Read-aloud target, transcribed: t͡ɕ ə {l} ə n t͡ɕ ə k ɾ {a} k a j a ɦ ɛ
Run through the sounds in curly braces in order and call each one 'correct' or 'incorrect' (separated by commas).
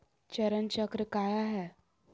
incorrect, incorrect